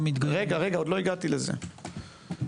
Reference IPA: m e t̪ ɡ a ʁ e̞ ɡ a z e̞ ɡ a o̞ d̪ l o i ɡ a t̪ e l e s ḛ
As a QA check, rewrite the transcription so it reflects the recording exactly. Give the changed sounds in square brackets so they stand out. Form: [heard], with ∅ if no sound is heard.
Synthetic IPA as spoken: m [i] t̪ ɡ a ʁ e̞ ɡ a [ʁ] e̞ ɡ a o̞ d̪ l o i ɡ a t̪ [i] l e [z] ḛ